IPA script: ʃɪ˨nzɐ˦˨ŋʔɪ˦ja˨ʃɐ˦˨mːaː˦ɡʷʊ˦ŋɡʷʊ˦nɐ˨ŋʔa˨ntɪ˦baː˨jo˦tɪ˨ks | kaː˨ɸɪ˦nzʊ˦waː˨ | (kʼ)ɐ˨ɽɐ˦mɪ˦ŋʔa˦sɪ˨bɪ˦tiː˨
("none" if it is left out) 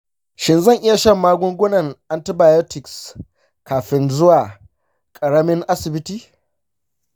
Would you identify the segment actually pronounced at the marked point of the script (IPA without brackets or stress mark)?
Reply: kʼ